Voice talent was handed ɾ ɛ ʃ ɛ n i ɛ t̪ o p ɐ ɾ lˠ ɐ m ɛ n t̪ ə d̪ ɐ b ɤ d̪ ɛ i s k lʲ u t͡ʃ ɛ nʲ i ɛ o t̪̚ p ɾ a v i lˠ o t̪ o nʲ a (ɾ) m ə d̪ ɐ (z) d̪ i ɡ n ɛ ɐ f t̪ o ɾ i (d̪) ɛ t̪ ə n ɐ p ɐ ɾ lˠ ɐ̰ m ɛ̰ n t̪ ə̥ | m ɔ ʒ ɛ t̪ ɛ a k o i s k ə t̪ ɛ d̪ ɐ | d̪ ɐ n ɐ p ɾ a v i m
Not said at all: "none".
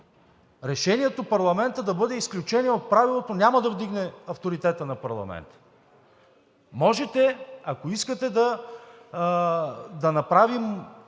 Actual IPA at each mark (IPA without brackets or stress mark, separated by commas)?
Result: none, v, t̪